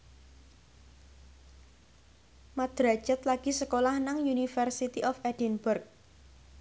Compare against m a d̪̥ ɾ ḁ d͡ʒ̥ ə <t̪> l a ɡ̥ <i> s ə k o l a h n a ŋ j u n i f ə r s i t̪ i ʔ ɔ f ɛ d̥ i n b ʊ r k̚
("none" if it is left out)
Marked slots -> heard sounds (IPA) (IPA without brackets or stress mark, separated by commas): t̪, i